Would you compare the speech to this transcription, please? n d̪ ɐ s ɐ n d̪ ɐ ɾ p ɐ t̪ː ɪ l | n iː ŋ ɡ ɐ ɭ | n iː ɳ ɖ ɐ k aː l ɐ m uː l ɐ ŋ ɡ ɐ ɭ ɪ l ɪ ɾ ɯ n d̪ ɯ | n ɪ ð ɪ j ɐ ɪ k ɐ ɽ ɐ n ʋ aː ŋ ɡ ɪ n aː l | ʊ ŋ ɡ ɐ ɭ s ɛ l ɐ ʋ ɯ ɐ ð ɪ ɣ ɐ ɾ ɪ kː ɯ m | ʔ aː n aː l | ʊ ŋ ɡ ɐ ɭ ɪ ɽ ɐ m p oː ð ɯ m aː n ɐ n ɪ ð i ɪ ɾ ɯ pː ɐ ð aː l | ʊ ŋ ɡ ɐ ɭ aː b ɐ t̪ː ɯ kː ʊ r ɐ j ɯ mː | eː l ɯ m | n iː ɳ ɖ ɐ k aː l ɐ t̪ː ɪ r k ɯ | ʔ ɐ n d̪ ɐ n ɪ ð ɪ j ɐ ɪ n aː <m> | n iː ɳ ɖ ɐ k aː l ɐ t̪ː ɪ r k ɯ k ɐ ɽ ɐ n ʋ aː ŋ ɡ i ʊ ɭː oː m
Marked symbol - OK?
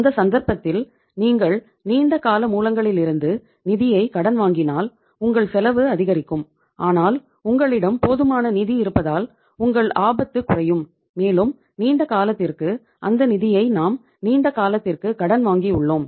yes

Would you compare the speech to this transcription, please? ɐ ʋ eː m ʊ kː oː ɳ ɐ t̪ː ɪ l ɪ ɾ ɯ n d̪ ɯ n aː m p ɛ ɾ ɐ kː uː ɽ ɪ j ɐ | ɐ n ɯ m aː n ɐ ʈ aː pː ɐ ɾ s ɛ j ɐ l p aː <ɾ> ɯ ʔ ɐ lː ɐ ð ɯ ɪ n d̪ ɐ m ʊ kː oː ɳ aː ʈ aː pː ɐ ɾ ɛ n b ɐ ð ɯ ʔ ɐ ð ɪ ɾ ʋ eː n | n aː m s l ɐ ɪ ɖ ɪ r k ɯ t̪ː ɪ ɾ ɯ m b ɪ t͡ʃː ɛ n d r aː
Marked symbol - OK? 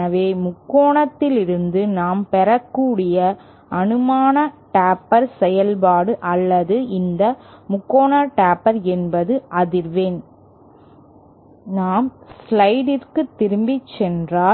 no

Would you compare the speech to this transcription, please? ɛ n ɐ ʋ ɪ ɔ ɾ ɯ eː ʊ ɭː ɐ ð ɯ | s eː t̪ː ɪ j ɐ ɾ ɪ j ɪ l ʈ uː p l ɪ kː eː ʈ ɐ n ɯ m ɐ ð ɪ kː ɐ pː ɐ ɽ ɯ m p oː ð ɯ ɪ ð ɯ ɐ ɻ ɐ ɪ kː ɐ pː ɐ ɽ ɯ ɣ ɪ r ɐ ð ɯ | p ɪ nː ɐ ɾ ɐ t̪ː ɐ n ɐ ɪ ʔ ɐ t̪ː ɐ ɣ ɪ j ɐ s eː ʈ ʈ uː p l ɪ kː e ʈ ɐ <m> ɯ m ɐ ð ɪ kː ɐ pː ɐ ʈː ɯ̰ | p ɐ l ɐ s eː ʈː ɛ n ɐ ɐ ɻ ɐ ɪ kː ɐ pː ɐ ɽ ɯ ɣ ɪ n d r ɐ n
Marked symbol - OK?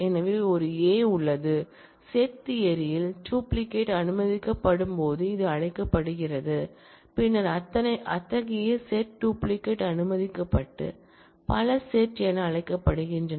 no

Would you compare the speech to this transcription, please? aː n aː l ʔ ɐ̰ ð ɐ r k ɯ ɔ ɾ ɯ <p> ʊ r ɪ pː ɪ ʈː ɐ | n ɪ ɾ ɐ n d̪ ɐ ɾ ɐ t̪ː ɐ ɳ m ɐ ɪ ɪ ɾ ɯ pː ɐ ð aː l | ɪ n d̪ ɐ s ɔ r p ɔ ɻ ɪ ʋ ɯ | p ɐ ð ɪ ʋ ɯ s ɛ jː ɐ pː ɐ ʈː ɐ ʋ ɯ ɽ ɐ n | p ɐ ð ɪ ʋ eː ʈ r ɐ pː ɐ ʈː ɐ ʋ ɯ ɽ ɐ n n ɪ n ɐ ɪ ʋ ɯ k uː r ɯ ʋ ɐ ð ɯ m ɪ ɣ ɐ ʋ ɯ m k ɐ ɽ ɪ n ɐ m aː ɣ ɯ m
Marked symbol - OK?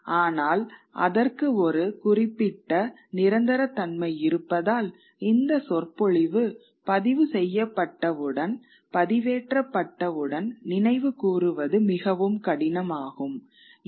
no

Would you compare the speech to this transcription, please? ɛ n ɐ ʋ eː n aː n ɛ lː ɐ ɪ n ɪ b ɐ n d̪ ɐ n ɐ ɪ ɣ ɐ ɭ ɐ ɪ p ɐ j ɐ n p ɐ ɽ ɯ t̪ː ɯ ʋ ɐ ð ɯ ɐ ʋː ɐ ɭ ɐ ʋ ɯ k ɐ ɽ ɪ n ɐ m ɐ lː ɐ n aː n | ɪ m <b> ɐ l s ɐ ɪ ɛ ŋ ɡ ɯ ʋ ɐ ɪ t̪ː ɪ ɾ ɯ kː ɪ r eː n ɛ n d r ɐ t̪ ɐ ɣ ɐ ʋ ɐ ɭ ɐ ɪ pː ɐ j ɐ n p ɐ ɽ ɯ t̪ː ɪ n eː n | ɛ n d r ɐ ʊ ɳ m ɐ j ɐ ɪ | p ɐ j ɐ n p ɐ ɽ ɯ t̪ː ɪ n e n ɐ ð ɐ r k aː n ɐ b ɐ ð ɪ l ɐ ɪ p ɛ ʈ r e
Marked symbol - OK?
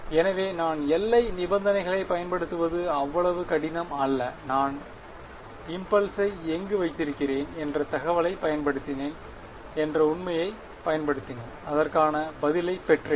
no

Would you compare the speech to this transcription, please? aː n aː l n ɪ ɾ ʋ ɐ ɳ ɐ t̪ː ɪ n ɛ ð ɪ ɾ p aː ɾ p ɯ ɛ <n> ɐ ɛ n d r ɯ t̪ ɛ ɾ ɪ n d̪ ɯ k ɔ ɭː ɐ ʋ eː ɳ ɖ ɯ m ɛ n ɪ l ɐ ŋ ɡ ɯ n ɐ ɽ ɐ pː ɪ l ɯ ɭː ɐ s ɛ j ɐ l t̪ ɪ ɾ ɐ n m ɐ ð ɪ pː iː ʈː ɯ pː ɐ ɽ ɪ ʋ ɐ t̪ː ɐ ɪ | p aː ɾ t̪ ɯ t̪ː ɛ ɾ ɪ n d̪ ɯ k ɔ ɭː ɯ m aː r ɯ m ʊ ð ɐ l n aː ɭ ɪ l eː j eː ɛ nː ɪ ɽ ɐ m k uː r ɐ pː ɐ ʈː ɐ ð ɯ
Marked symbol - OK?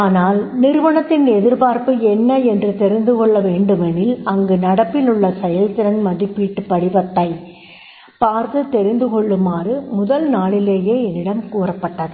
no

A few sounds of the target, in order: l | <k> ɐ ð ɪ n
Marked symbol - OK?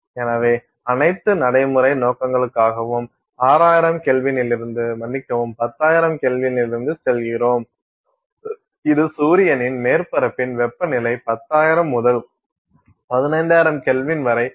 no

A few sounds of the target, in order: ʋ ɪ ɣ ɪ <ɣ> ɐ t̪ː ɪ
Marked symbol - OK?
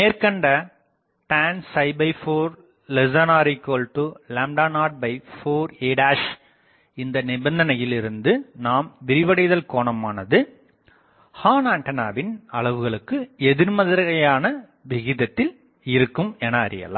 no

